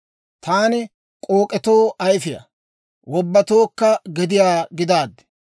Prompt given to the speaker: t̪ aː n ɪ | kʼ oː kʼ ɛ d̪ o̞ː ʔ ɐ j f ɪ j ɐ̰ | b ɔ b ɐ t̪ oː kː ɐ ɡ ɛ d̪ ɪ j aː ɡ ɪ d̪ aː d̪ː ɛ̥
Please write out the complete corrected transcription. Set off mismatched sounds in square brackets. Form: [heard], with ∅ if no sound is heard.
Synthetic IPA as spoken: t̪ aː n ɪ | kʼ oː kʼ ɛ [t̪] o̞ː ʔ ɐ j f ɪ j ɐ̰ | [w] ɔ [bː] ɐ t̪ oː kː ɐ ɡ ɛ d̪ ɪ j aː ɡ ɪ d̪ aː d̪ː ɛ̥

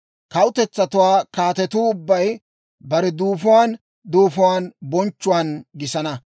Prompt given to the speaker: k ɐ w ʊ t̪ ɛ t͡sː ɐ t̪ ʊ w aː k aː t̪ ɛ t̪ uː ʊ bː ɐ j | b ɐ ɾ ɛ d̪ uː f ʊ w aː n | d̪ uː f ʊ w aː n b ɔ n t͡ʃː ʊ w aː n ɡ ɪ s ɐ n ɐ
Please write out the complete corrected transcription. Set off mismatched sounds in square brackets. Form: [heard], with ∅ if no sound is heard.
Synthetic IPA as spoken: k ɐ w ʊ t̪ ɛ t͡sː ɐ t̪ ʊ w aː k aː t̪ ɛ t̪ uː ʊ bː ɐ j | b ɐ ɾ ɛ d̪ uː f ʊ w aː n | d̪ uː f ʊ w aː n b ɔ n t͡ʃː ʊ w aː n ɡ ɪ s ɐ n ɐ

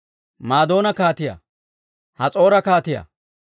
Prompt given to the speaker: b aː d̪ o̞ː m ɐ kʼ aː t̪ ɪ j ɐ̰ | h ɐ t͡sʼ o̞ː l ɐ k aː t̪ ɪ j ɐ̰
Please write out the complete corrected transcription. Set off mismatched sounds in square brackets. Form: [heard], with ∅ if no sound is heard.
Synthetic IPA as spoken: [m] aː d̪ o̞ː [n] ɐ [k] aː t̪ ɪ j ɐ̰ | h ɐ t͡sʼ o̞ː [ɾ] ɐ k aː t̪ ɪ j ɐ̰

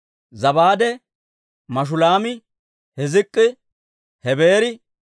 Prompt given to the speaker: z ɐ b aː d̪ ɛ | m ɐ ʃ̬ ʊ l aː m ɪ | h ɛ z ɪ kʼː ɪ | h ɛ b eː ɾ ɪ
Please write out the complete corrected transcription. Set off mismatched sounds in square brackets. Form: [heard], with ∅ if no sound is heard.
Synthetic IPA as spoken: z ɐ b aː d̪ ɛ | m ɐ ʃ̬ ʊ l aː m ɪ | h ɛ z ɪ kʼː ɪ | h ɛ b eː ɾ ɪ

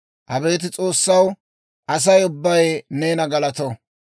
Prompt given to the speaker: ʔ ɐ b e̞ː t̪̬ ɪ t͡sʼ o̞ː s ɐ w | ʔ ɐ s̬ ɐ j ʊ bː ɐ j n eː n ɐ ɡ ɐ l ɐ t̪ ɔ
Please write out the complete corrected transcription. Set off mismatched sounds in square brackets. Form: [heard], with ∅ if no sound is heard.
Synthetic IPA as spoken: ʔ ɐ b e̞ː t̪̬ ɪ t͡sʼ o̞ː [sː] ɐ w | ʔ ɐ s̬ ɐ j ʊ bː ɐ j n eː n ɐ ɡ ɐ l ɐ t̪ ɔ

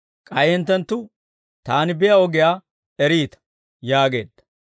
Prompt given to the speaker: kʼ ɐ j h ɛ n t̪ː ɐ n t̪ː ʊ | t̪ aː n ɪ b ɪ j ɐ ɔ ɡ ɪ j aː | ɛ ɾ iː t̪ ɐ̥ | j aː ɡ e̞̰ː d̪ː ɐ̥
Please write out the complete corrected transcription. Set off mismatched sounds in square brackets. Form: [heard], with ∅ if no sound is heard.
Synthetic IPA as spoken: kʼ ɐ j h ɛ n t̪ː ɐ n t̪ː ʊ | t̪ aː n ɪ b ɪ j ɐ ɔ ɡ ɪ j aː | ɛ ɾ iː t̪ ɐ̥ | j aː ɡ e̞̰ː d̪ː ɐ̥

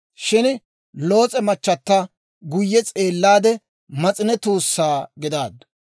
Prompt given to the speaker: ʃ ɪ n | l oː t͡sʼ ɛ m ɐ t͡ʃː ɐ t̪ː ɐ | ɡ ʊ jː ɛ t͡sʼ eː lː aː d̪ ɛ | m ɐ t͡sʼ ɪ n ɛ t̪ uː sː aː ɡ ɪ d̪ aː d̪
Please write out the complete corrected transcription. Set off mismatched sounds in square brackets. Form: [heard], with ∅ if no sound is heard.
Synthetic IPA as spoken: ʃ ɪ n | l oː t͡sʼ ɛ m ɐ t͡ʃː ɐ t̪ː ɐ | ɡ ʊ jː ɛ t͡sʼ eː lː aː d̪ ɛ | m ɐ t͡sʼ ɪ n ɛ t̪ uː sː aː ɡ ɪ d̪ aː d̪

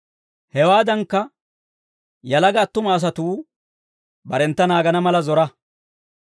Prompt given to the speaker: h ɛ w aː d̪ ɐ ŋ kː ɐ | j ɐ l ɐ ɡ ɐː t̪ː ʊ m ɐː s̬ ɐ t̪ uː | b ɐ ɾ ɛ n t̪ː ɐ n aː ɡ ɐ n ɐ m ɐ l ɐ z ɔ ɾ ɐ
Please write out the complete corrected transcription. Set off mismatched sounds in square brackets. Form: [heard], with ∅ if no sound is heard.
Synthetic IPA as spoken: h ɛ w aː d̪ ɐ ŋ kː ɐ | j ɐ l ɐ ɡ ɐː t̪ː ʊ m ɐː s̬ ɐ t̪ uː | b ɐ ɾ ɛ n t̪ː ɐ n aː ɡ ɐ n ɐ m ɐ l ɐ z ɔ ɾ ɐ

